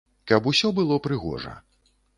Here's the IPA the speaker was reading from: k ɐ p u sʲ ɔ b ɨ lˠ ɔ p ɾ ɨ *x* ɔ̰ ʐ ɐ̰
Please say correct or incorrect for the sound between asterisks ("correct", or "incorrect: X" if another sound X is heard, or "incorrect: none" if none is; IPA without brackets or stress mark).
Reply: incorrect: ɣ